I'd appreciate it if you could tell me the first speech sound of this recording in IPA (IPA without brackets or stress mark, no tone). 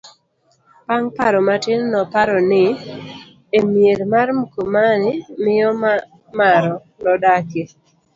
p